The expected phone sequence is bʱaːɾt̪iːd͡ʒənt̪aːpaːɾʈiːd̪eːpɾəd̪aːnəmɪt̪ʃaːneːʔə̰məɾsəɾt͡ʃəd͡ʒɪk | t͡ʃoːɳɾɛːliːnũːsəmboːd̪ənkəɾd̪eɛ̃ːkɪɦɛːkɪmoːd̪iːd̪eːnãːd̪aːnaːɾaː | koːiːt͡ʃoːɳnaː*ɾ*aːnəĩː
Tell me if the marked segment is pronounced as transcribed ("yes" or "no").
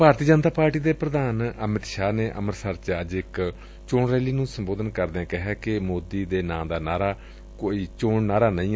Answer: yes